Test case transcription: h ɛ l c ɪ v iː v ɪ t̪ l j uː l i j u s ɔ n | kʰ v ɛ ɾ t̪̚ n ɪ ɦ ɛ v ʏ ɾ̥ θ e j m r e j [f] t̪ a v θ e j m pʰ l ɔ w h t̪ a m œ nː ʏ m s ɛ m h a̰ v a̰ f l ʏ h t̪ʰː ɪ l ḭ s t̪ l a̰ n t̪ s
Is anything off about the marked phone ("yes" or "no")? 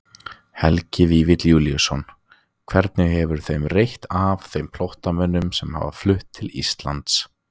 yes